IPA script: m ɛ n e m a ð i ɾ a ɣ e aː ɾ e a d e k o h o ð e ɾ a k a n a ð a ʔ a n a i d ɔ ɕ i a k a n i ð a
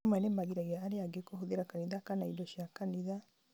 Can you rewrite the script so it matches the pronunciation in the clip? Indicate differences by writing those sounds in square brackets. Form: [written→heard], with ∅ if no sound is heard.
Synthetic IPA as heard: m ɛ n e m a [ð→ɣ] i ɾ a ɣ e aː ɾ e a [d→ɡ] e k o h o ð e ɾ a k a n [a→i] ð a [ʔ→k] a n a i d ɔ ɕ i a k a n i ð a